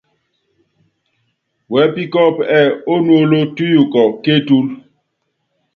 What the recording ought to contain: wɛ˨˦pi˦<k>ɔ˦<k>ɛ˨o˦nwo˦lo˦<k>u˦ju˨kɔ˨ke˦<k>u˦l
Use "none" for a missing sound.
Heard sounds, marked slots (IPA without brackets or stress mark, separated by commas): k, p, t, t